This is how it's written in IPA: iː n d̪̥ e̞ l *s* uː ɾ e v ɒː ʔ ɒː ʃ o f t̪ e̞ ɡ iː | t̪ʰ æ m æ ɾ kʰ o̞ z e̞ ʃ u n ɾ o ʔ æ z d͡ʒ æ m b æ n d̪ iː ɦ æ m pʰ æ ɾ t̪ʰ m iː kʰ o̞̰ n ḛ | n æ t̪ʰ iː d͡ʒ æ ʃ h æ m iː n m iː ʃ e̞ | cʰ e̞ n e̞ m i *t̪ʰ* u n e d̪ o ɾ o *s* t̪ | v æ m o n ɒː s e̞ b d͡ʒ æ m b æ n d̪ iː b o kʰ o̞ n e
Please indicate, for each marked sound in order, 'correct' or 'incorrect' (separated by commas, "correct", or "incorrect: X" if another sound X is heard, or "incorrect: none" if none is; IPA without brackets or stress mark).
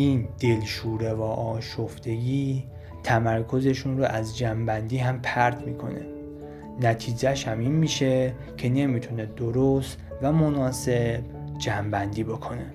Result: incorrect: ʃ, correct, correct